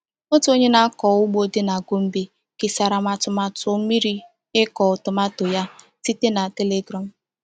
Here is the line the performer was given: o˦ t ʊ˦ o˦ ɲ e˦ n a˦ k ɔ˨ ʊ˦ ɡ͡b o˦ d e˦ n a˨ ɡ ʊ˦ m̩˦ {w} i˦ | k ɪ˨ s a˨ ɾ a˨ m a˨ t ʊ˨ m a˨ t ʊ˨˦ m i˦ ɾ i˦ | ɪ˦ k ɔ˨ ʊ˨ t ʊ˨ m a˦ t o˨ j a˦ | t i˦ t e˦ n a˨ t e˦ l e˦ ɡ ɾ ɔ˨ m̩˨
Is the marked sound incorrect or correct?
incorrect